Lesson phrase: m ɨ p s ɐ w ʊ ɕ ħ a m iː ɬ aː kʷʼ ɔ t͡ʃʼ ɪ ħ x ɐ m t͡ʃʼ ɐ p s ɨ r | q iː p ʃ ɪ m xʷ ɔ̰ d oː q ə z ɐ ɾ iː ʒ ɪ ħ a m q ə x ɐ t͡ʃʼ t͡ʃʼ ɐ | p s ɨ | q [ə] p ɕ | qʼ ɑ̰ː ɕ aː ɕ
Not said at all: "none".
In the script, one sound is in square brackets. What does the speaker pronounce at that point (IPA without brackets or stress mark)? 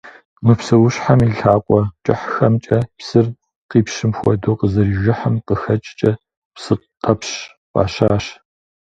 ɐ